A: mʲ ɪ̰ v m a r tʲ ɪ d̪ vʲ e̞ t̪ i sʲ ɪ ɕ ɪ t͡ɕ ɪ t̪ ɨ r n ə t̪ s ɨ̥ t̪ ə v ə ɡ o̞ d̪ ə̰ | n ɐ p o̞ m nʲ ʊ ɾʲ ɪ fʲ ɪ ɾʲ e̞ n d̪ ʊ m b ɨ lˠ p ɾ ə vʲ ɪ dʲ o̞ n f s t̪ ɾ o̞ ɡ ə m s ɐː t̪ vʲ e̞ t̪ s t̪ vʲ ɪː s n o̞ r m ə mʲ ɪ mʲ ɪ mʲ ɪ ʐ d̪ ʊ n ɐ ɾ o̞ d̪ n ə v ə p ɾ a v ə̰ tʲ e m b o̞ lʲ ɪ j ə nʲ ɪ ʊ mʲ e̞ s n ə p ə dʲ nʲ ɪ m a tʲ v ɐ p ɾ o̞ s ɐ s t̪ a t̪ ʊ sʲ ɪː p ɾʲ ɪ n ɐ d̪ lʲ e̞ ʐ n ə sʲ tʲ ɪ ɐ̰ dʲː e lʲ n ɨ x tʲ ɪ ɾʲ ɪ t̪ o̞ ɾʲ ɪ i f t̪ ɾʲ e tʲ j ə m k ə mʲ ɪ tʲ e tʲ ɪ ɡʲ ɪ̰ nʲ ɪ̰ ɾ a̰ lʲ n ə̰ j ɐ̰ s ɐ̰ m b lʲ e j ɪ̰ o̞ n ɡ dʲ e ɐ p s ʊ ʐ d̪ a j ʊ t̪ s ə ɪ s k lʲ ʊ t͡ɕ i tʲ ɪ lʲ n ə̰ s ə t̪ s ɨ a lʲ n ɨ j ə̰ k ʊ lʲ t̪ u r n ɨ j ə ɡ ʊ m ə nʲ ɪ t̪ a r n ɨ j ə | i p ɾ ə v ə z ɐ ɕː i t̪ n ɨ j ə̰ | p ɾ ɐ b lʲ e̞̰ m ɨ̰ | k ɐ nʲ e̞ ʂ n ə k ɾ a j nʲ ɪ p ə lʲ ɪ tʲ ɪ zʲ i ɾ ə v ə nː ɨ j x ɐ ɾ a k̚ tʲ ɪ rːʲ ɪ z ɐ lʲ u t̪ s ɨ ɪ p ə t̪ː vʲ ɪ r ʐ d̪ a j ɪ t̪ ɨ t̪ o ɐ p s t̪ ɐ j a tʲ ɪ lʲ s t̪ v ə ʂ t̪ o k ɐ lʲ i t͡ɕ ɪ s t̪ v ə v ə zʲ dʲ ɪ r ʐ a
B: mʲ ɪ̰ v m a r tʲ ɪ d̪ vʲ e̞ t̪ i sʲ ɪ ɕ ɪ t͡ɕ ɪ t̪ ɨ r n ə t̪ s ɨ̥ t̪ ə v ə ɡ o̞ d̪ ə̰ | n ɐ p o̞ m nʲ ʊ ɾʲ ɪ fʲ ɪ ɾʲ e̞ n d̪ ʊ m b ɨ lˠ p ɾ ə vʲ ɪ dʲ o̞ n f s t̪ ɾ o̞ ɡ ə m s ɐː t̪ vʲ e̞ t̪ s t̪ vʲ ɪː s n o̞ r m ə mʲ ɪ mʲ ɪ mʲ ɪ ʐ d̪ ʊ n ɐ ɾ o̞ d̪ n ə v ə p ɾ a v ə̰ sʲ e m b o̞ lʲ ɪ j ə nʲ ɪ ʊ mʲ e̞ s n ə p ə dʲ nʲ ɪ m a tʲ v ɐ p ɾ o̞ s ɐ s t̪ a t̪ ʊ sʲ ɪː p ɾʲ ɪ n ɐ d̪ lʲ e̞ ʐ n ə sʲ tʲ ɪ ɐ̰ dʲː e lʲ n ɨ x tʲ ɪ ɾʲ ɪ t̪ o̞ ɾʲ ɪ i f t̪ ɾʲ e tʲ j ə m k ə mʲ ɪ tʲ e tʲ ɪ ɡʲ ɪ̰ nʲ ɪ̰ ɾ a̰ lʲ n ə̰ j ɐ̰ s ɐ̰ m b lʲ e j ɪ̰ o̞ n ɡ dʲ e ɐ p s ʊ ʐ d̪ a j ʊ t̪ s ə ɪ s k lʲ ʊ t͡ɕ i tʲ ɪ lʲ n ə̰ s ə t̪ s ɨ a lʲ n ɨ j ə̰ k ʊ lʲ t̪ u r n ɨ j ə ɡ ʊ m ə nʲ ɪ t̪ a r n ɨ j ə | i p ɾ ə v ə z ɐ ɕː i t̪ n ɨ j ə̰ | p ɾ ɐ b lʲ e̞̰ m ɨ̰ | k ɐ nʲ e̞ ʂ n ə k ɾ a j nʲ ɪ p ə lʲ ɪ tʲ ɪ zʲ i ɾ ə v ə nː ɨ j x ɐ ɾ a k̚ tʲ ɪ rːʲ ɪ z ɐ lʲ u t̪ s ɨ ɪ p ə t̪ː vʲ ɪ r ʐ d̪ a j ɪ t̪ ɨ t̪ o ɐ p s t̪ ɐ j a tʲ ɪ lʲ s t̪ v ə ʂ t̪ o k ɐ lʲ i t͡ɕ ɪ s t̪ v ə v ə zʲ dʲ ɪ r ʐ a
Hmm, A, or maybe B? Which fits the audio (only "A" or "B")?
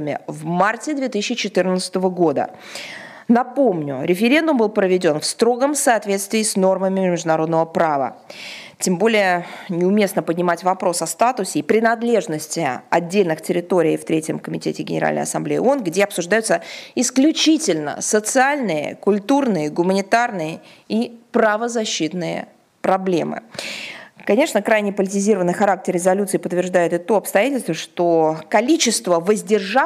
A